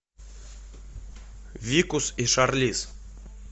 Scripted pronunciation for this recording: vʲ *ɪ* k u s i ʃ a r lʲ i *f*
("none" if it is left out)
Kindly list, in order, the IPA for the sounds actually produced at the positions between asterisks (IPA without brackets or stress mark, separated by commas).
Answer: i, s